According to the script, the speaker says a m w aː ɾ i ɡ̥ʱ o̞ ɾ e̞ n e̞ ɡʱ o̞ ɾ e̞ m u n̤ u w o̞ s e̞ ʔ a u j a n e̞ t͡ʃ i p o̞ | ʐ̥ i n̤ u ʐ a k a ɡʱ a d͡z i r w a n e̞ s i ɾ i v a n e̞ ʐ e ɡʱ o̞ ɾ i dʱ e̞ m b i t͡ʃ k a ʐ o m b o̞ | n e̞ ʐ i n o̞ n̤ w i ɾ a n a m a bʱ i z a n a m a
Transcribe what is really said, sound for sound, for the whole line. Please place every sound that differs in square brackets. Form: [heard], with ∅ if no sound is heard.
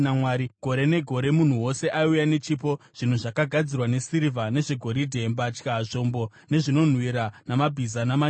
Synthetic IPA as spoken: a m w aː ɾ i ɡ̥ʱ o̞ ɾ e̞ n e̞ ɡʱ o̞ ɾ e̞ m u n̤ u w o̞ s e̞ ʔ a u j a n e̞ t͡ʃ i p o̞ | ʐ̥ i n̤ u ʐ a k a ɡʱ a d͡z i r w a n e̞ s i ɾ i v a n e̞ ʐ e ɡʱ o̞ ɾ i dʱ e̞ m b [a] t͡ʃ k a ʐ o m b o̞ | n e̞ ʐ i n o̞ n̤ w i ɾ a n a m a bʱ i z a n a m a